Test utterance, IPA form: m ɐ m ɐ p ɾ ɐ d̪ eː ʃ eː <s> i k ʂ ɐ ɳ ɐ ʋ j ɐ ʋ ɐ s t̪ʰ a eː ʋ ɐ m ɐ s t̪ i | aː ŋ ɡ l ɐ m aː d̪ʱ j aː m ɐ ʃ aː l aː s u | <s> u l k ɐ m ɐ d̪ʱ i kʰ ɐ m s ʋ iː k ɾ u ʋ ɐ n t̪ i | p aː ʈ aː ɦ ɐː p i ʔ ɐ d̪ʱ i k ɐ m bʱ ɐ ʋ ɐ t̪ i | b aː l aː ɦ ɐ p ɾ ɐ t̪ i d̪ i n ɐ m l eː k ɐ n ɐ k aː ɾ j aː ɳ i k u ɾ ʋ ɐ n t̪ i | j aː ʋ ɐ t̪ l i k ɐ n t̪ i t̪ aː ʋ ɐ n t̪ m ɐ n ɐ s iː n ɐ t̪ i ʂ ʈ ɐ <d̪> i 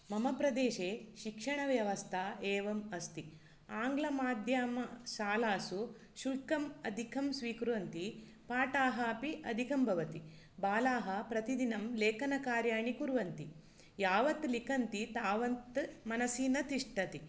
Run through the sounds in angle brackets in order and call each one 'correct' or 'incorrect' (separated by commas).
incorrect, incorrect, incorrect